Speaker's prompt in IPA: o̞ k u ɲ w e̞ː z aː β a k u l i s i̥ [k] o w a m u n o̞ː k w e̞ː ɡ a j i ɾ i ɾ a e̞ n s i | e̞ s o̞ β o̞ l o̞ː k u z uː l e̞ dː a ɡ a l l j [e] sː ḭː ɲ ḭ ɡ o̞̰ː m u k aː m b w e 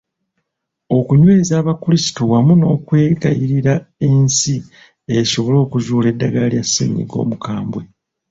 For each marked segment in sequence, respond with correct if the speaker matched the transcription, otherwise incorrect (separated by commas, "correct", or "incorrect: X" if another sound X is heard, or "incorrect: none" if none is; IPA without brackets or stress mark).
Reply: incorrect: t, incorrect: a